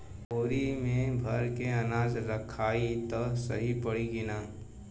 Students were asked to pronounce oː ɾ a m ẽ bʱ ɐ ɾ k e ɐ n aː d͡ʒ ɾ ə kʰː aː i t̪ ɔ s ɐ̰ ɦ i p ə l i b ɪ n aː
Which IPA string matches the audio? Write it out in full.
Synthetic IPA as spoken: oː ɾ i m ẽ bʱ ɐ ɾ k e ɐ n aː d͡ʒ ɾ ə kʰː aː i t̪ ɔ s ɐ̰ ɦ i p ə ɽ i ɡ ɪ n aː